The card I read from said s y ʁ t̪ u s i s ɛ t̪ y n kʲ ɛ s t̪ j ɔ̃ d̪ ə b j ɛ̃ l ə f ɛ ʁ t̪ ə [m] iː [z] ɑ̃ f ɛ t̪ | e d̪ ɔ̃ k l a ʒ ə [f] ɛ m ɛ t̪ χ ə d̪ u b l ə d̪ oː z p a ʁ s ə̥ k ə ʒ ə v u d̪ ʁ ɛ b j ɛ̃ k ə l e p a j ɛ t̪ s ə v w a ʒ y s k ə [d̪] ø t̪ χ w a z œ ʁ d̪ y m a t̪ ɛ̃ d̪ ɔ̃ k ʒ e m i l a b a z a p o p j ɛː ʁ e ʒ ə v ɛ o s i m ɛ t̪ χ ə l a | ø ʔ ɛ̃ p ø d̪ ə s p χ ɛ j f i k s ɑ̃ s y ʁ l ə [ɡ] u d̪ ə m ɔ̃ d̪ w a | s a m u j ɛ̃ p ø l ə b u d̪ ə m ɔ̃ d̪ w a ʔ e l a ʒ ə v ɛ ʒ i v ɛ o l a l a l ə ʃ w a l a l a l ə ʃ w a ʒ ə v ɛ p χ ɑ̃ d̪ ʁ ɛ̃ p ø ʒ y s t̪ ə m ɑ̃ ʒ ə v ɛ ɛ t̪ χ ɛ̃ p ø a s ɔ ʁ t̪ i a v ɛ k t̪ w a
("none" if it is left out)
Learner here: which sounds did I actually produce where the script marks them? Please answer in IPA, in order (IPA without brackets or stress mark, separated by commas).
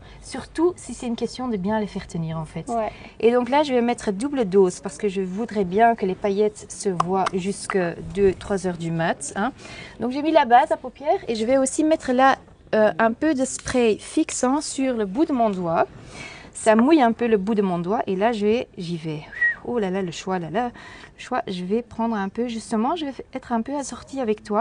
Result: n, ʁ, v, d̪, b